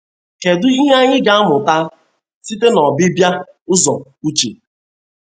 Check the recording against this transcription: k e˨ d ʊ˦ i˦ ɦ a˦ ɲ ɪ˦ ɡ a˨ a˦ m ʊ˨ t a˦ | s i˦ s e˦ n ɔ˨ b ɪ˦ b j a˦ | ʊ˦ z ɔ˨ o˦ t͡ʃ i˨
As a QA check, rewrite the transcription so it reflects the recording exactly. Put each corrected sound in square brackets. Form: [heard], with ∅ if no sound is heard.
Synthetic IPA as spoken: k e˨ d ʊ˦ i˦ ɦ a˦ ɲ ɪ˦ ɡ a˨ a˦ m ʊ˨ t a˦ | s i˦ [t] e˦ n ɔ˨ b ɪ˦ b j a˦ | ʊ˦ z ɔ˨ [u˦] t͡ʃ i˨